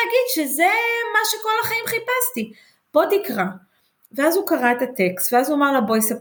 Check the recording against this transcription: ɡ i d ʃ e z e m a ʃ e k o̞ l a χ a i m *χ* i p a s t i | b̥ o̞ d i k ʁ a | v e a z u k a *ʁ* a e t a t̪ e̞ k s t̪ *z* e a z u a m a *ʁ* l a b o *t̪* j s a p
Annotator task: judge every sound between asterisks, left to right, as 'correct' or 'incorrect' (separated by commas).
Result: correct, correct, incorrect, correct, incorrect